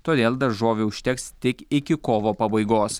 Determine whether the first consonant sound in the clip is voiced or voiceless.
voiceless